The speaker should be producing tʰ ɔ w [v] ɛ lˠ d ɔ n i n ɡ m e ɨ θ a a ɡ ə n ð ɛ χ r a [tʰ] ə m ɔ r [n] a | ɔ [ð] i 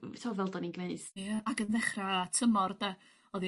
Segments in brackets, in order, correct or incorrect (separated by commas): correct, correct, incorrect, correct